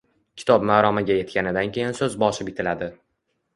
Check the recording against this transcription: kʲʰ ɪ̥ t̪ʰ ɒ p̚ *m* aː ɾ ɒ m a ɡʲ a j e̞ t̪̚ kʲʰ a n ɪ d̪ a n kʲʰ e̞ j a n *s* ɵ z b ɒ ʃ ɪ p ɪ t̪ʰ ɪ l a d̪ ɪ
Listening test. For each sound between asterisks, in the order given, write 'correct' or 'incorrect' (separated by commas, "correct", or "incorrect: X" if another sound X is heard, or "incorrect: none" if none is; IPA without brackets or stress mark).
correct, correct